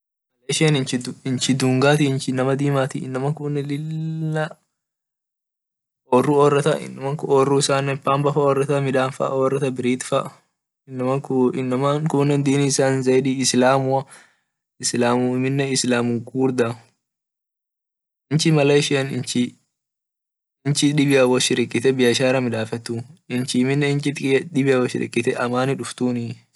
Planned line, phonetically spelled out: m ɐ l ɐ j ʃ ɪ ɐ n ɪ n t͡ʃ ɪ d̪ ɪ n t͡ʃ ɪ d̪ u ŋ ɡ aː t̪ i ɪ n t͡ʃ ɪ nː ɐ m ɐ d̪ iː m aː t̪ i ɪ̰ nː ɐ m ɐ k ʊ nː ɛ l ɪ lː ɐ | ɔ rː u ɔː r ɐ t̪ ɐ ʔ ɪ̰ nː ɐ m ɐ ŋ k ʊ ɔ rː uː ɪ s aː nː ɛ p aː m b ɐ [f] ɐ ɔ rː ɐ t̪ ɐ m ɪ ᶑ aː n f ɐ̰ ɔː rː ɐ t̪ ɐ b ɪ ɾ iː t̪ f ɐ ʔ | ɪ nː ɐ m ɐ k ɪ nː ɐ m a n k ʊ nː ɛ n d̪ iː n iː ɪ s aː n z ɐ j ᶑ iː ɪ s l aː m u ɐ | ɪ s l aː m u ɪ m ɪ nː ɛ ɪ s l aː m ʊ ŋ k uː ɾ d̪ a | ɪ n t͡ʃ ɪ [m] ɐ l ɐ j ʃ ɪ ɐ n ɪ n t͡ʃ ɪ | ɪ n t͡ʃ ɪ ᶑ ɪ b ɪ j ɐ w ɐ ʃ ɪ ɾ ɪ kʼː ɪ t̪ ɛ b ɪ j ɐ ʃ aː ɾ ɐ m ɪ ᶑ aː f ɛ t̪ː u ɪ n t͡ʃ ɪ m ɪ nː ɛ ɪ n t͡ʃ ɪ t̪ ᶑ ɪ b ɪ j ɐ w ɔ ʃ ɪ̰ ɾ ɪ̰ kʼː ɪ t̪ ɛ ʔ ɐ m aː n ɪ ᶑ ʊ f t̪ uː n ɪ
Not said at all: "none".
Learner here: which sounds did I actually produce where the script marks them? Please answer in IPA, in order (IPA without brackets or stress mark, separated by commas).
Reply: f, m